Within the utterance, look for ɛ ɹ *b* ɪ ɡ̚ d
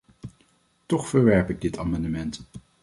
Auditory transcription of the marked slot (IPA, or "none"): p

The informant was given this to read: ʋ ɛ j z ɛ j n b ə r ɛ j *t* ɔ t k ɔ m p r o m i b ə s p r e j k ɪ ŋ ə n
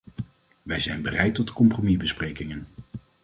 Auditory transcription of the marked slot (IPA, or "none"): t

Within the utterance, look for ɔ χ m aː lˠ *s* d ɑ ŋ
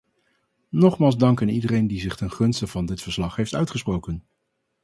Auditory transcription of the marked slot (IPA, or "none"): z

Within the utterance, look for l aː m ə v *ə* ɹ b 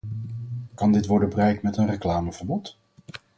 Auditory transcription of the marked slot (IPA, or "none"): ə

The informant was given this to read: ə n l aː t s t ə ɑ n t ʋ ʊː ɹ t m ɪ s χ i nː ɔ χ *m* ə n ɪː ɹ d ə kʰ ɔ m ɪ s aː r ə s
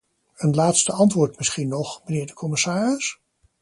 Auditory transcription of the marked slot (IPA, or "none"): m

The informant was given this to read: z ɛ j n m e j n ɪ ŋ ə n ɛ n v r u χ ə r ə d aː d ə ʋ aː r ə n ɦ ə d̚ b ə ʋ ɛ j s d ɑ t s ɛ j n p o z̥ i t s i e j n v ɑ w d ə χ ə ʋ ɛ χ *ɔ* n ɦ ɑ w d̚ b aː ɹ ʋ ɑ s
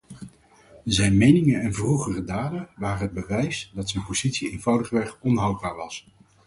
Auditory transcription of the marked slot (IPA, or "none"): ɔ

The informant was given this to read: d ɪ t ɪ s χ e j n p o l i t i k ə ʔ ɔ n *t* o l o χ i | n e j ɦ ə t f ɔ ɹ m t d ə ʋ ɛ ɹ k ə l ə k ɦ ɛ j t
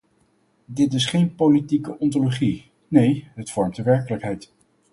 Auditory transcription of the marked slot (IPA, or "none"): t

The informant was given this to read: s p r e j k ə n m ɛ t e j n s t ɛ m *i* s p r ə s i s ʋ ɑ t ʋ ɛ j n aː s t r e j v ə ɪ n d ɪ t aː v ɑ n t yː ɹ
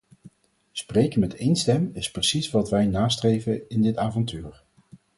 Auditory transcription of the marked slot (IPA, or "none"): ɪ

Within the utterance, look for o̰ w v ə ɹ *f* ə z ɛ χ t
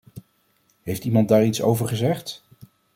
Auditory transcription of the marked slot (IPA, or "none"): χ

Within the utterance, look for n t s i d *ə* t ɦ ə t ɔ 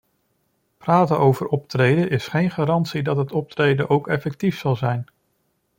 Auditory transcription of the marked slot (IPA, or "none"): ɑ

